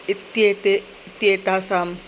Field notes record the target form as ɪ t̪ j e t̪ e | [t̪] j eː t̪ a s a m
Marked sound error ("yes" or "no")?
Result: no